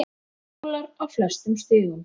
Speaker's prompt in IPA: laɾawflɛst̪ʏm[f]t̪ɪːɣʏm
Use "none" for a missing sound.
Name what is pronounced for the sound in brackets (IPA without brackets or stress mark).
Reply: s